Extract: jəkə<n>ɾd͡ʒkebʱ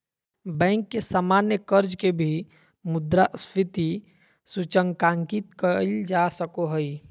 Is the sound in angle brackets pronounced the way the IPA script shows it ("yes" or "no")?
no